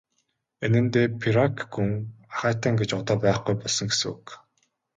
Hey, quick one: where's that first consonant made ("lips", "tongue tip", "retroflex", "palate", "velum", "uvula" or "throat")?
tongue tip